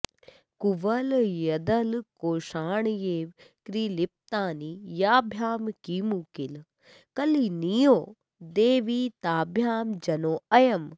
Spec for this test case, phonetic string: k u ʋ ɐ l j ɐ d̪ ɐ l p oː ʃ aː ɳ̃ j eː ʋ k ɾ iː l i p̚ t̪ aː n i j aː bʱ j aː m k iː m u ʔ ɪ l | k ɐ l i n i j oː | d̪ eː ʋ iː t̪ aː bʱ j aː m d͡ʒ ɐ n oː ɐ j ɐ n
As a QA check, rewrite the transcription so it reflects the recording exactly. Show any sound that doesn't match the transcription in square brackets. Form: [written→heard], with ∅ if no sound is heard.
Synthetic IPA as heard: k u ʋ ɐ l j ɐ d̪ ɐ l [p→k] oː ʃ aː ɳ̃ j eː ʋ k ɾ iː l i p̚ t̪ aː n i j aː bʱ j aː m k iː m u [ʔ→k] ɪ l | k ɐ l i n i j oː | d̪ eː ʋ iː t̪ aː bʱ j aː m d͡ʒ ɐ n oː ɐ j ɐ [n→m]